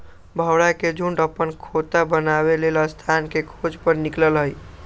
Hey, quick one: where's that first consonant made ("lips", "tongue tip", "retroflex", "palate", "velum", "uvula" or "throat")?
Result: lips